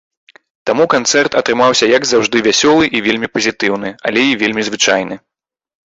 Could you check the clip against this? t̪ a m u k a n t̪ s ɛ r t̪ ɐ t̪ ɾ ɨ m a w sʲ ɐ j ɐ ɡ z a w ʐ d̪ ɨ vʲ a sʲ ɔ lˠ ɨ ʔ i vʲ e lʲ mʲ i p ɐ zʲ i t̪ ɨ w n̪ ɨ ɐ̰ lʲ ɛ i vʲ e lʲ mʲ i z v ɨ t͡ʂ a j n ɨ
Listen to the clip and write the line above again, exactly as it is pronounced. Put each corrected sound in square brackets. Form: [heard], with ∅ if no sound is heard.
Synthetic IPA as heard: t̪ a m u k a n t̪ s ɛ r t̪ ɐ t̪ ɾ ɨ m a w sʲ ɐ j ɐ ɡ z a w ʐ d̪ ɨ vʲ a sʲ ɔ lˠ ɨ ʔ i vʲ e lʲ mʲ i p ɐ zʲ i t̪ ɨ w n̪ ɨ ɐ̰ lʲ ɛ i vʲ e lʲ mʲ i z v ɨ t͡ʂ a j n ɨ

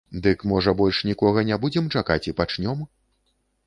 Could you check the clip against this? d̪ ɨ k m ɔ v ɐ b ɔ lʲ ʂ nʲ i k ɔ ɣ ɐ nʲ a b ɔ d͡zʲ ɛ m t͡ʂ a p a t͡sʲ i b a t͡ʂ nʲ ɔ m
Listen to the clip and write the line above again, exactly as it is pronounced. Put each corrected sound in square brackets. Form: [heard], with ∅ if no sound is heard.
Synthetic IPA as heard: d̪ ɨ k m ɔ [ʐ] ɐ b ɔ lʲ ʂ nʲ i k ɔ ɣ ɐ nʲ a b [u] d͡zʲ ɛ m t͡ʂ a [k] a t͡sʲ i [p] a t͡ʂ nʲ ɔ m

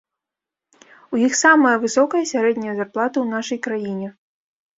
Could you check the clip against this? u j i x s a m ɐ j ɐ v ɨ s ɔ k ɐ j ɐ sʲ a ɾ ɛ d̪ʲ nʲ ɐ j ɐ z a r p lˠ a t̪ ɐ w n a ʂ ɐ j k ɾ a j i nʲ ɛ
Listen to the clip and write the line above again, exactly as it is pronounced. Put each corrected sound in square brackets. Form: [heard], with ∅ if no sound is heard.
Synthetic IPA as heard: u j i x s a m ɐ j ɐ v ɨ s ɔ k ɐ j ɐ sʲ a ɾ ɛ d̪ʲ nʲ ɐ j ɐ z a r p lˠ a t̪ ɐ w n a ʂ ɐ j k ɾ a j i nʲ ɛ

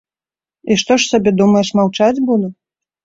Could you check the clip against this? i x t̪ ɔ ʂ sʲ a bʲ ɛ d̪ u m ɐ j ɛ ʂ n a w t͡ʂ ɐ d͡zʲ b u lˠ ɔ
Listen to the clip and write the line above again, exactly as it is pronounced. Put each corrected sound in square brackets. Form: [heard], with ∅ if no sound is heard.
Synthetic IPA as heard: i [ʂ] t̪ ɔ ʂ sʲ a bʲ ɛ d̪ u m ɐ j ɛ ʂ [m] a w t͡ʂ [a] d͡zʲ b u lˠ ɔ

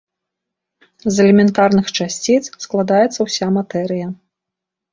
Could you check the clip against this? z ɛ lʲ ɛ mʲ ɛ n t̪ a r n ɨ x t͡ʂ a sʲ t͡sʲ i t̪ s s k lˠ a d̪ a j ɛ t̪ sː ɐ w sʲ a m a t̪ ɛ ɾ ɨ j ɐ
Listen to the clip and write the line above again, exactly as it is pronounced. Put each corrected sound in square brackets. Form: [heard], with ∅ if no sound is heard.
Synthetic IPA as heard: z ɛ lʲ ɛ mʲ ɛ n t̪ a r n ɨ x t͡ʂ a sʲ t͡sʲ i t̪ s s k lˠ a d̪ a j ɛ t̪ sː ɐ w sʲ a m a t̪ ɛ ɾ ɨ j ɐ

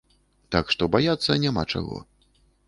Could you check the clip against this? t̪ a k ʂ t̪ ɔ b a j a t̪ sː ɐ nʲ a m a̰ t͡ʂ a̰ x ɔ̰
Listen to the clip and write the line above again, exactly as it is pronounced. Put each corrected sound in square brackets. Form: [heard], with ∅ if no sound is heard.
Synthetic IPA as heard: t̪ a k ʂ t̪ ɔ b a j a t̪ sː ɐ nʲ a m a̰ t͡ʂ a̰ [ɣ] ɔ̰

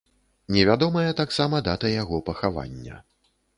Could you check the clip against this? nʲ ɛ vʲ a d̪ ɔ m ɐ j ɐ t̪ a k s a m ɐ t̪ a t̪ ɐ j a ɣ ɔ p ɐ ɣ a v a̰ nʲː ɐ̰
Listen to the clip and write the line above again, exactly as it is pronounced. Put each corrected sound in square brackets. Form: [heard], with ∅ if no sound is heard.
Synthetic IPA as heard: nʲ ɛ vʲ a d̪ ɔ m ɐ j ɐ t̪ a k s a m ɐ [d̪] a t̪ ɐ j a ɣ ɔ p ɐ [x] a v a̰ nʲː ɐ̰

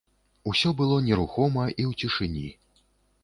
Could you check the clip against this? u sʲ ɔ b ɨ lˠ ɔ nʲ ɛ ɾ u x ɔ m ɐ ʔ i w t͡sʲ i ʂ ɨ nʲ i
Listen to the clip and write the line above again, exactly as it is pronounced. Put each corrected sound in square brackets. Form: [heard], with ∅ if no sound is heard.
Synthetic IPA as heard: u sʲ ɔ b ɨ lˠ ɔ nʲ ɛ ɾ u x ɔ m ɐ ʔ i w t͡sʲ i ʂ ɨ nʲ i

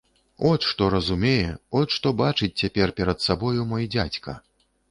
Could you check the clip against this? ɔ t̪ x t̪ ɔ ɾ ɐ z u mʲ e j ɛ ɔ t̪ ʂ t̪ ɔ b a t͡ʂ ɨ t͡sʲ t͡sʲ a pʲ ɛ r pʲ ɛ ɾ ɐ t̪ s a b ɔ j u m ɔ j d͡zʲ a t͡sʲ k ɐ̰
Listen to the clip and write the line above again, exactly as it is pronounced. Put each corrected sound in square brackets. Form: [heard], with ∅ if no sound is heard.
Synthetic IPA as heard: ɔ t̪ [ʂ] t̪ ɔ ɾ ɐ z u mʲ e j ɛ ɔ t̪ ʂ t̪ ɔ b a t͡ʂ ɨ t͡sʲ t͡sʲ a pʲ ɛ r pʲ ɛ ɾ ɐ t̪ s a b ɔ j u m ɔ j d͡zʲ a t͡sʲ k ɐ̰

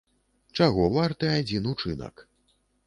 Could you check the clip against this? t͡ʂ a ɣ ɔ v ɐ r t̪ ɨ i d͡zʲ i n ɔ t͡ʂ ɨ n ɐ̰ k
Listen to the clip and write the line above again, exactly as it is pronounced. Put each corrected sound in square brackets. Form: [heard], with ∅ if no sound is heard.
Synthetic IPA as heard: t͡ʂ a ɣ ɔ v [a] r t̪ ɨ [a] d͡zʲ i n [u] t͡ʂ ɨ n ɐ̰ k

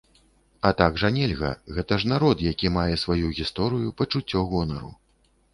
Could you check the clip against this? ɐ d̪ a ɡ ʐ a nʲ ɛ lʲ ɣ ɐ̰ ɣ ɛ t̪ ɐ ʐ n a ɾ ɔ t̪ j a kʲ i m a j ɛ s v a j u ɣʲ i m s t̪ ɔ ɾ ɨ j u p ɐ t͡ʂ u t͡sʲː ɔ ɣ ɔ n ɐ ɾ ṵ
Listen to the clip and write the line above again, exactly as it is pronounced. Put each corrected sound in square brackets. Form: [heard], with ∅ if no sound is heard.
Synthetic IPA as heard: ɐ [t̪] a ɡ ʐ a nʲ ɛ lʲ ɣ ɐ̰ ɣ ɛ t̪ ɐ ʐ n a ɾ ɔ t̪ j a kʲ i m a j ɛ s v a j u ɣʲ i [∅] s t̪ ɔ ɾ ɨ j u p ɐ t͡ʂ u t͡sʲː ɔ ɣ ɔ n ɐ ɾ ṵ

